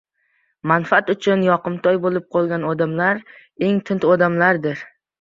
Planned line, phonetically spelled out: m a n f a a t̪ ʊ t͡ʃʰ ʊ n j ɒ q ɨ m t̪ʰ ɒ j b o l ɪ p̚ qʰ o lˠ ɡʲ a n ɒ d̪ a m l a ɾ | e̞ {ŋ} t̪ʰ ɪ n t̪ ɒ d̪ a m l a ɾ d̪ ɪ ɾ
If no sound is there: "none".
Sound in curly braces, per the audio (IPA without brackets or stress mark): ŋ